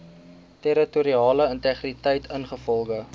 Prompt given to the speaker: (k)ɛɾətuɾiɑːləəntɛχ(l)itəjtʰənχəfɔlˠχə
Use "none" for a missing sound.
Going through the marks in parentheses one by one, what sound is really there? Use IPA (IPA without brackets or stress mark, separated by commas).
t, r